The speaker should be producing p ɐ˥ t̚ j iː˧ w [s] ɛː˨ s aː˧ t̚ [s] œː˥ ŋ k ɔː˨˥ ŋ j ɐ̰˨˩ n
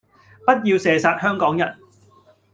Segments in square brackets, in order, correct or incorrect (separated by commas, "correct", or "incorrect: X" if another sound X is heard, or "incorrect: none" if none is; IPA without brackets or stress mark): correct, incorrect: h